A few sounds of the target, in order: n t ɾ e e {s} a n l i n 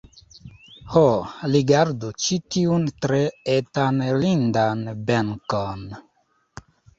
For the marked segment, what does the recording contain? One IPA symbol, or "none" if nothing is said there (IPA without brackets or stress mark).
t